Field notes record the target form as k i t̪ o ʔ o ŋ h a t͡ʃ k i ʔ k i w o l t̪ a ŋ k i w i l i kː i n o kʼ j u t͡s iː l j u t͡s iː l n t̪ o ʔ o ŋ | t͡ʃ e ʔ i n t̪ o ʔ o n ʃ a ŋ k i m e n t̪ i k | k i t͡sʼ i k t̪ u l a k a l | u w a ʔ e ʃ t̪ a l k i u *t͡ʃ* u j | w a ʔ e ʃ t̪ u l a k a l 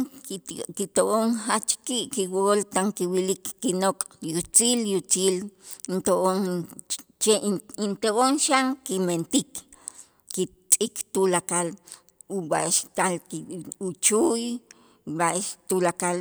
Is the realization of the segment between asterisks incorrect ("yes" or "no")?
no